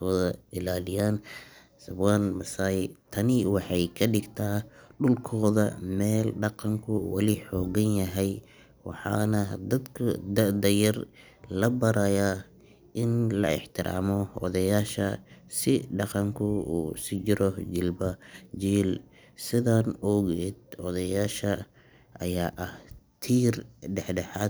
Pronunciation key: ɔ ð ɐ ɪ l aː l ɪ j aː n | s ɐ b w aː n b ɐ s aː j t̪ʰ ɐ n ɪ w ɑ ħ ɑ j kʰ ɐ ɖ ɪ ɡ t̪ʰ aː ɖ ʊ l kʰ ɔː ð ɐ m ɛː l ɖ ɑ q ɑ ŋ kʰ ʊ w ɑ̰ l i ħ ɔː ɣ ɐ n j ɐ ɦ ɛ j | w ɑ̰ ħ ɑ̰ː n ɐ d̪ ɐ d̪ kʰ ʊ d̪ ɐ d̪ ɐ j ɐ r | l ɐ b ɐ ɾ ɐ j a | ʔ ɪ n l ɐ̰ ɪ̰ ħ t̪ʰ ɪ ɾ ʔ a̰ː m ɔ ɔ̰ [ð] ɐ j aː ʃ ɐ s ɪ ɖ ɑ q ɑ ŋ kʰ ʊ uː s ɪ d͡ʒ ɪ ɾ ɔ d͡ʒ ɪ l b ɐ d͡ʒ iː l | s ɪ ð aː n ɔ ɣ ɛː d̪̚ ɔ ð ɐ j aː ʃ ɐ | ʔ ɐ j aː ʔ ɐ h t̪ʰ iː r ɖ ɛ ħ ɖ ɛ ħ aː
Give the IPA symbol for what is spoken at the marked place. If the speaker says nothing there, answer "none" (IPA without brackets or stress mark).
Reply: ð